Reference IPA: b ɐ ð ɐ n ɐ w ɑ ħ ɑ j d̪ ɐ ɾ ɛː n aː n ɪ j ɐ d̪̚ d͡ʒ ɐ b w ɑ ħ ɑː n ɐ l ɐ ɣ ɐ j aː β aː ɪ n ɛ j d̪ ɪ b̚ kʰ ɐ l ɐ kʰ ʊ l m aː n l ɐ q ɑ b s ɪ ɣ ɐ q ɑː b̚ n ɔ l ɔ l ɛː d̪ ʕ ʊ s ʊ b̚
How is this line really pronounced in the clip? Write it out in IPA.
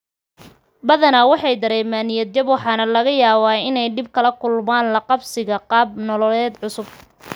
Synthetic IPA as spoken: b ɐ ð ɐ n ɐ w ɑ ħ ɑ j d̪ ɐ ɾ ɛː m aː n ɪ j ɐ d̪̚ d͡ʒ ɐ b w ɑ ħ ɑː n ɐ l ɐ ɣ ɐ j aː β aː ɪ n ɛ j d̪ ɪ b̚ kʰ ɐ l ɐ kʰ ʊ l m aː n l ɐ q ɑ b s ɪ ɣ ɐ q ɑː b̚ n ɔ l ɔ l ɛː d̪ ʕ ʊ s ʊ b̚